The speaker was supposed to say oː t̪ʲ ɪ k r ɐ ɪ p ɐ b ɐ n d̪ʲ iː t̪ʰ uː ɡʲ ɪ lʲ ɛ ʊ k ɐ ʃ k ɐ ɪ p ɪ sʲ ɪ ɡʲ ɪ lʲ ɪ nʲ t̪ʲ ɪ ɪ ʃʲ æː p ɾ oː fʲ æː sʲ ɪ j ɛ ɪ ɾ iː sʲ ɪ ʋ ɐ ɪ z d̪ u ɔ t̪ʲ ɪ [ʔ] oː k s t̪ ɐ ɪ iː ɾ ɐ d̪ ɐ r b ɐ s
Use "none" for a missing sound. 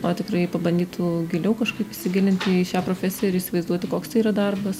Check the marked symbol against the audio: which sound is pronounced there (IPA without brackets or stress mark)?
k